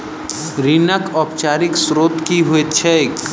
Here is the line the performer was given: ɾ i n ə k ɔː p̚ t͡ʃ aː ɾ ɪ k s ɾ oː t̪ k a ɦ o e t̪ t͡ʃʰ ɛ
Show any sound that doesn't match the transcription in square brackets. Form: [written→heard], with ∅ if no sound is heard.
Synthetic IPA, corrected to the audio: ɾ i n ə k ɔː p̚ t͡ʃ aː ɾ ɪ k s ɾ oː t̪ k [a→i] ɦ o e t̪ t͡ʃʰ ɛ